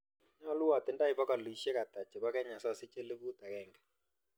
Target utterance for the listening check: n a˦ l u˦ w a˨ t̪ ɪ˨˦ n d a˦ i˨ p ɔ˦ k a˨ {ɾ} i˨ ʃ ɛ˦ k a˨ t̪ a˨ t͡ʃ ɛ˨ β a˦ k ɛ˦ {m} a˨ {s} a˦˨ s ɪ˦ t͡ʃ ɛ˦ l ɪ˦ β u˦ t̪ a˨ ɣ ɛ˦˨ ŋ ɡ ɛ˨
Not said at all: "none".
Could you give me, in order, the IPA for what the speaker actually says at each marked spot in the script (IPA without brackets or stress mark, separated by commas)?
l, ɲ, s